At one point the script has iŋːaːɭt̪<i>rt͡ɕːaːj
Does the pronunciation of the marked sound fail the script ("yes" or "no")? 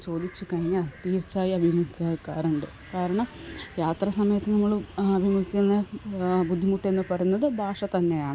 yes